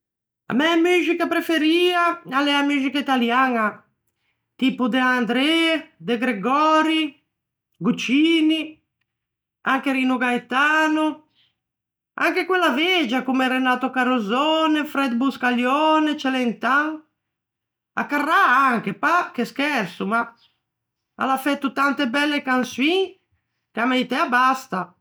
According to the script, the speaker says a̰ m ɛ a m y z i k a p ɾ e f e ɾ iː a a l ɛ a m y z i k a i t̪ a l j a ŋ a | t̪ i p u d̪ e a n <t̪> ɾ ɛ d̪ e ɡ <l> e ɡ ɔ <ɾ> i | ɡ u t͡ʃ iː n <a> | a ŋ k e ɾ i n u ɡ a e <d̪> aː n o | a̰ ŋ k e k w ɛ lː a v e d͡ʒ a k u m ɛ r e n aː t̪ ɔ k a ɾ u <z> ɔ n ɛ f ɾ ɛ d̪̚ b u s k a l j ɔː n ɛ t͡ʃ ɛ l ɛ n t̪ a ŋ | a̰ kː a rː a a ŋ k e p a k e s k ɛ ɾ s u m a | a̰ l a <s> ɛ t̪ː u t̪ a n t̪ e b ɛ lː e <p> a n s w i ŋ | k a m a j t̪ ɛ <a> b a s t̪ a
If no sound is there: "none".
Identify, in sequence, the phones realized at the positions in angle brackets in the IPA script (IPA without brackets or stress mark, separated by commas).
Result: d̪, ɾ, ɾ, i, t̪, z, f, k, a